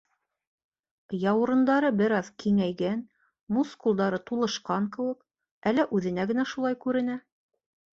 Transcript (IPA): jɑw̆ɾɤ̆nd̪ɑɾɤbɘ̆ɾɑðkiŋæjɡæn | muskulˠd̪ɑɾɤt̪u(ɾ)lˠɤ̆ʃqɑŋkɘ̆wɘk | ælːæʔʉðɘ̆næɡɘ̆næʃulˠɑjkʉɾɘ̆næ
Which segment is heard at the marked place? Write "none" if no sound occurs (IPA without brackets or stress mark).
none